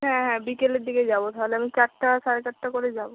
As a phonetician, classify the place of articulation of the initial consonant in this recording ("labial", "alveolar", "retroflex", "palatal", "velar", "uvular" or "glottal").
glottal